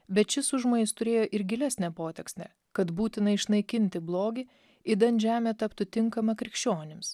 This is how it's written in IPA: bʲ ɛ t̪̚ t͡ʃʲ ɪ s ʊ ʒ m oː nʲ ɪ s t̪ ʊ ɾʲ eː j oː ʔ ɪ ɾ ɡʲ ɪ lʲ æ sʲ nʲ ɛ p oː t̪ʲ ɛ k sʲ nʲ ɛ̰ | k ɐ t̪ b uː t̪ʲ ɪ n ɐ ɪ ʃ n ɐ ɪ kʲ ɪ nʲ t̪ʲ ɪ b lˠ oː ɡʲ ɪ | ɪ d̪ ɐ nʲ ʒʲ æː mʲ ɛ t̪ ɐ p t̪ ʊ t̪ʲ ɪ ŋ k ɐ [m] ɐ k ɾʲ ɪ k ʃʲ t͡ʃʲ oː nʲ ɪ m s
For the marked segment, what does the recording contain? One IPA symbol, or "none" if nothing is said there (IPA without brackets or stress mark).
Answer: m